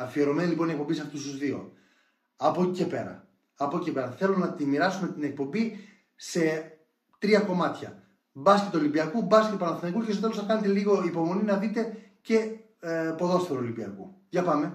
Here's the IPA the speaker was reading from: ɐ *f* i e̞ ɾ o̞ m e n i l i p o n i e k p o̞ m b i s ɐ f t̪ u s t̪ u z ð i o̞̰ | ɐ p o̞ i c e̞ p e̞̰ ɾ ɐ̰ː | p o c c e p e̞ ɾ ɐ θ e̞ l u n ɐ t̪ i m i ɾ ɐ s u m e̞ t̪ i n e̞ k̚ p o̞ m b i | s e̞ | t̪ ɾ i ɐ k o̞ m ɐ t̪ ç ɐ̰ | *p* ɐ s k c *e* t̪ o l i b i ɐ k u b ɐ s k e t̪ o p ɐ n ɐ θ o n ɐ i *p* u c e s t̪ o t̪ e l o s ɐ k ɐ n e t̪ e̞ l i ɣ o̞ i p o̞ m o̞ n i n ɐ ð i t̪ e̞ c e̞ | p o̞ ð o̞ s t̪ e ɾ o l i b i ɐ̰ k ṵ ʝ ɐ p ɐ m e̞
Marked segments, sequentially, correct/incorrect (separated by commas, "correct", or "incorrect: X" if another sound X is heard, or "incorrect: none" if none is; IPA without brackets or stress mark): correct, incorrect: b, correct, incorrect: k